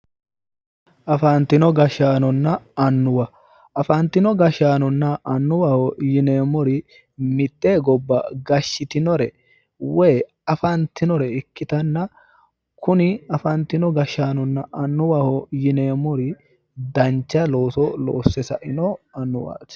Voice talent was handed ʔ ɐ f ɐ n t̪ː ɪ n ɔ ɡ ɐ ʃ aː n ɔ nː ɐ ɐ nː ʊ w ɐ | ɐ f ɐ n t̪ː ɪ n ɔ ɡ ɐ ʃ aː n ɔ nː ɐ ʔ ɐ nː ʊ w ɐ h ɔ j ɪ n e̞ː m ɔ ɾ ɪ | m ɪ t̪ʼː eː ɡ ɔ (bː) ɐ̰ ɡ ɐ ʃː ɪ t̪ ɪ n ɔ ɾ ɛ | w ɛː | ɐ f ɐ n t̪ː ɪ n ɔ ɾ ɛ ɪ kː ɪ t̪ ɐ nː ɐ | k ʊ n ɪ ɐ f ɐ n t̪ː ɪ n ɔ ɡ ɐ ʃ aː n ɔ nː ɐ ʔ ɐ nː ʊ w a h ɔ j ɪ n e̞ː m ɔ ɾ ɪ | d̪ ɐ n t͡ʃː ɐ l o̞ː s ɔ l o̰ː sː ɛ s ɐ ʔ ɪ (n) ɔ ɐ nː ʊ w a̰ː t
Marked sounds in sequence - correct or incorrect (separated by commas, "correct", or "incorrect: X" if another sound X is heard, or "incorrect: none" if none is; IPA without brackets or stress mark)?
correct, correct